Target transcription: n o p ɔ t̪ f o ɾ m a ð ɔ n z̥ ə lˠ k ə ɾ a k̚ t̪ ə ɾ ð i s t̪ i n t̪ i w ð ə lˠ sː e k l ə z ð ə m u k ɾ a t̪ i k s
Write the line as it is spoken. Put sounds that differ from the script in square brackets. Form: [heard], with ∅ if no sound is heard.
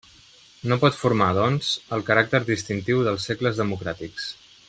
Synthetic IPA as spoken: n o p ɔ t̪ f [u] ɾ m a ð ɔ n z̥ ə lˠ k ə ɾ a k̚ t̪ ə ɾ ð i s t̪ i n t̪ i w ð ə lˠ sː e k l ə z ð ə m u k ɾ a t̪ i k s